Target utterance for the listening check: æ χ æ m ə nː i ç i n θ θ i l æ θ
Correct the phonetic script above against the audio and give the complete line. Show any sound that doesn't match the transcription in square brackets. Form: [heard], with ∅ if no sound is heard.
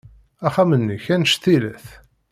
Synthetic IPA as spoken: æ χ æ m ə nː i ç [æ] n [ʃ] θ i l æ θ